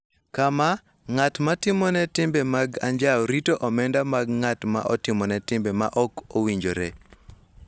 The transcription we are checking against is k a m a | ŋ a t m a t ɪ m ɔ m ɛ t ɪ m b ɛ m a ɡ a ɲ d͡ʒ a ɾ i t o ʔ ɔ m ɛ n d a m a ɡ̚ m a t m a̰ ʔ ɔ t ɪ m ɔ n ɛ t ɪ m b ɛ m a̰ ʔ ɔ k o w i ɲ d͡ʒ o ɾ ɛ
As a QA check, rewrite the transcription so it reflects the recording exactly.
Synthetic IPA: k a m a | ŋ a t m a t ɪ m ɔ n ɛ t ɪ m b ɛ m a ɡ a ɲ d͡ʒ a ɾ i t o ʔ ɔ m ɛ n d a m a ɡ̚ ŋ a t m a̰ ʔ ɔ t ɪ m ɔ n ɛ t ɪ m b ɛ m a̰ ʔ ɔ k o w i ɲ d͡ʒ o ɾ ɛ